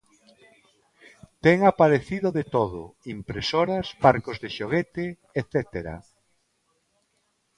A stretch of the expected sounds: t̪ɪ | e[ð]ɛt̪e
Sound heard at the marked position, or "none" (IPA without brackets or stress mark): θ